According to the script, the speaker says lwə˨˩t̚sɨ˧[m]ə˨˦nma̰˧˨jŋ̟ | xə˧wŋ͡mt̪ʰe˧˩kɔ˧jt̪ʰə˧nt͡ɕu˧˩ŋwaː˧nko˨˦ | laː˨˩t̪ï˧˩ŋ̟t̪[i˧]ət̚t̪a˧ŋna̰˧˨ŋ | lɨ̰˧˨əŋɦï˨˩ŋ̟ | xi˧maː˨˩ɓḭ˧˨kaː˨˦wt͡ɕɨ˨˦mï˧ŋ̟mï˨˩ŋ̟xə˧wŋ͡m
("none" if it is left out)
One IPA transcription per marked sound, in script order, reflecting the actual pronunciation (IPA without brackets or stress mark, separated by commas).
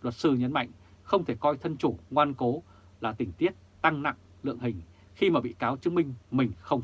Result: ɲ, i˦˥